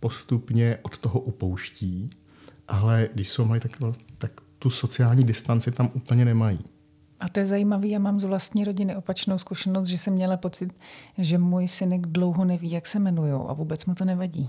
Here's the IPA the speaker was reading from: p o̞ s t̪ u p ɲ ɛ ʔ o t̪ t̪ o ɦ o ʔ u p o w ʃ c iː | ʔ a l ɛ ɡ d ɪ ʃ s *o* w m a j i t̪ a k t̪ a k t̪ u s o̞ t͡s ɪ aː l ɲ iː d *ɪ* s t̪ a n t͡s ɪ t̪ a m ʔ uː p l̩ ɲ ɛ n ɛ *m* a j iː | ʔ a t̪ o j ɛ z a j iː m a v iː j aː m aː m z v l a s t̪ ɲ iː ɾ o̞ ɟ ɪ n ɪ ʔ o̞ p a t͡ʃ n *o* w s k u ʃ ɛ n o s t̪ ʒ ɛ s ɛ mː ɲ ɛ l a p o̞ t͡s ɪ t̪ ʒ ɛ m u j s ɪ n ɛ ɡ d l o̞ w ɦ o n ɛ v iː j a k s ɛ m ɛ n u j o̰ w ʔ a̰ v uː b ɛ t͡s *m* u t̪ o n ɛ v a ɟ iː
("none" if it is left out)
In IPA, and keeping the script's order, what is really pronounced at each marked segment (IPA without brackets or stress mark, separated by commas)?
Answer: o, ɪ, m, o, m